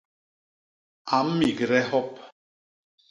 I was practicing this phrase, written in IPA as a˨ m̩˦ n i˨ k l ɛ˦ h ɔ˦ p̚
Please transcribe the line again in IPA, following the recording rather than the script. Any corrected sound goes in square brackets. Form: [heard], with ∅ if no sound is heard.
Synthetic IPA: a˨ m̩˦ [m] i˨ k [ɾ] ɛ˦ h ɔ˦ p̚